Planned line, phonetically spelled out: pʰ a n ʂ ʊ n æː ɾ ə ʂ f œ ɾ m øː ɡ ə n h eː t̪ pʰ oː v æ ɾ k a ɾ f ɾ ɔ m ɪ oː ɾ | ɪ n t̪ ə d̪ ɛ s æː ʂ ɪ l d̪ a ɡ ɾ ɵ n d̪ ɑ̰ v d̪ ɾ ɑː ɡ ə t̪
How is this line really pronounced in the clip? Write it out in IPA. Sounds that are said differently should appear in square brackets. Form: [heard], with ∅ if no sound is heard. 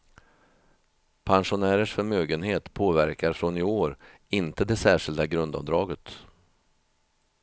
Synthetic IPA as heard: pʰ a n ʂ ʊ n æː ɾ ə ʂ f œ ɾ m øː ɡ ə n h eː t̪ pʰ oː v æ ɾ k a ɾ f ɾ ɔ [n] ɪ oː ɾ | ɪ n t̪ ə d̪ ɛ s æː ʂ ɪ l d̪ a ɡ ɾ ɵ n d̪ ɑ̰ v d̪ ɾ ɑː ɡ ə t̪